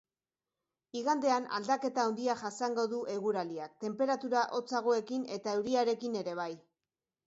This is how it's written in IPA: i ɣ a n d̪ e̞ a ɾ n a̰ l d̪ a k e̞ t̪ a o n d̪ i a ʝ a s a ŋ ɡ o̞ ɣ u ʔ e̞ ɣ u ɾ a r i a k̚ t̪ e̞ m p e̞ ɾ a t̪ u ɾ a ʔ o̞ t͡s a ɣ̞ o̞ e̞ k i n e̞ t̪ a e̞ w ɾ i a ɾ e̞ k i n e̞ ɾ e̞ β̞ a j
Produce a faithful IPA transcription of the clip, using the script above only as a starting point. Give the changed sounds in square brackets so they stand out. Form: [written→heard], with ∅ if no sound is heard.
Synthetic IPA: i ɣ a n d̪ e̞ a [ɾ→∅] n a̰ l d̪ a k e̞ t̪ a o n d̪ i a ʝ a s a ŋ ɡ o̞ [ɣ→ð] u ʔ e̞ ɣ u ɾ a [r→l] i a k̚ t̪ e̞ m p e̞ ɾ a t̪ u ɾ a ʔ o̞ t͡s a ɣ̞ o̞ e̞ k i n e̞ t̪ a e̞ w ɾ i a ɾ e̞ k i n e̞ ɾ e̞ β̞ a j